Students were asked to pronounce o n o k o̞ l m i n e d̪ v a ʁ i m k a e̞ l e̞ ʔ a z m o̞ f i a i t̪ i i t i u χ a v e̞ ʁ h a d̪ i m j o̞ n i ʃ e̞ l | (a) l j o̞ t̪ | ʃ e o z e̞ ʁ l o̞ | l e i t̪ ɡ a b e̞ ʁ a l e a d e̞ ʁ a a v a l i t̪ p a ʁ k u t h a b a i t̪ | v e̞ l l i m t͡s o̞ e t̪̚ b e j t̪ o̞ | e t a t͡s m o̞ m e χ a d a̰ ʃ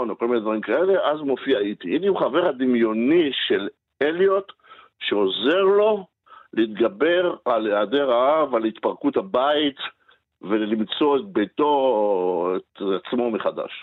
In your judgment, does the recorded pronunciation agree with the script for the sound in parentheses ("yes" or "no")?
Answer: no